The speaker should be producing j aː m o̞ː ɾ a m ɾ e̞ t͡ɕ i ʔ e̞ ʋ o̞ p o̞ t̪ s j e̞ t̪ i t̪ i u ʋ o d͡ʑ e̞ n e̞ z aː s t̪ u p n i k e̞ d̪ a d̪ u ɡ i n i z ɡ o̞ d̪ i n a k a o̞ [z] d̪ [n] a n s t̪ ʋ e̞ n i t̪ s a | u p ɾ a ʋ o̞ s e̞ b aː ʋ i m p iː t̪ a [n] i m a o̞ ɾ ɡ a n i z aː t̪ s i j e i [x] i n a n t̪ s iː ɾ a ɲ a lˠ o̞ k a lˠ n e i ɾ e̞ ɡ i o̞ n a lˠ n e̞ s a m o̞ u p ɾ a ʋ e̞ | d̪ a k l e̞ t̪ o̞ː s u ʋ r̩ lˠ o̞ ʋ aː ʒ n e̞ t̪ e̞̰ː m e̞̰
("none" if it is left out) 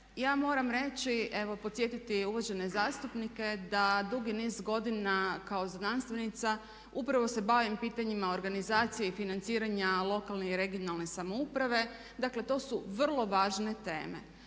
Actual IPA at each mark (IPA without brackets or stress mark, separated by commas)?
z, n, ɲ, f